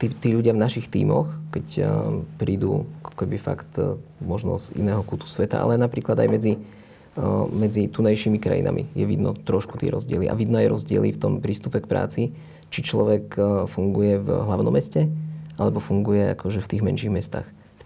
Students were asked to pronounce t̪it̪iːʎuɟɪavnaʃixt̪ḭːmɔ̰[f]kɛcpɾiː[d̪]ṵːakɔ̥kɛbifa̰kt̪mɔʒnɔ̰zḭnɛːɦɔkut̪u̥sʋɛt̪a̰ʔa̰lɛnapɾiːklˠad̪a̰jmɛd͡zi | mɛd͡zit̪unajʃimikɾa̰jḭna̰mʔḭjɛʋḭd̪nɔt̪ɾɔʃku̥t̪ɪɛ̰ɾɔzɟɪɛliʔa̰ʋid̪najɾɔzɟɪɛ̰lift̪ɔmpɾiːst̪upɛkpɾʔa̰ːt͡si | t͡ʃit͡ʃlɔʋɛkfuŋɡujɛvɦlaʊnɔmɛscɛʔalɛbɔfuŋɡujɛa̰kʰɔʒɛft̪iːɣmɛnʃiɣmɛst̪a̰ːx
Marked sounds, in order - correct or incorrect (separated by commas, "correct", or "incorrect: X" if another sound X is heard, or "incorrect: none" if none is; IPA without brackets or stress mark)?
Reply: incorrect: x, correct